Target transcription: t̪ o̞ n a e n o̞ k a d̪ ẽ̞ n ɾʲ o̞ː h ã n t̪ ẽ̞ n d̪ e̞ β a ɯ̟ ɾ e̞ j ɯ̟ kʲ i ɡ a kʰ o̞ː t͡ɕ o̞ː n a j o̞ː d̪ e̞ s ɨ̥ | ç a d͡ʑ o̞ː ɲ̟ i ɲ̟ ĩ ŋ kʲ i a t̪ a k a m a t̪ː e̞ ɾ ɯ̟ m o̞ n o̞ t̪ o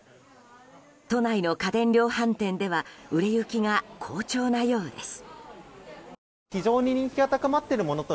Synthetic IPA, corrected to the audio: t̪ o̞ n a i n o̞ k a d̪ ẽ̞ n ɾʲ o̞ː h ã n t̪ ẽ̞ n d̪ e̞ β a ɯ̟ ɾ e̞ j ɯ̟ kʲ i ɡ a kʰ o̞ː t͡ɕ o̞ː n a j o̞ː d̪ e̞ s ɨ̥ | ç i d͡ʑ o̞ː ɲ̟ i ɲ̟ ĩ ŋ kʲ i a t̪ a k a m a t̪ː e̞ ɾ ɯ̟ m o̞ n o̞ t̪ o